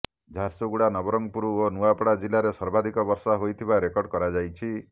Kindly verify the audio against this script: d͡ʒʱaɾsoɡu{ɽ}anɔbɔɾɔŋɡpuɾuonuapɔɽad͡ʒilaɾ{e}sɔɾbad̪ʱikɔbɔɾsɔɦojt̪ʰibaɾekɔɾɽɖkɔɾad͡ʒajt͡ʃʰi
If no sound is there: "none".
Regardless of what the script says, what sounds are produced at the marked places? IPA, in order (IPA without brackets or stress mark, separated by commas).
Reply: ɽ, e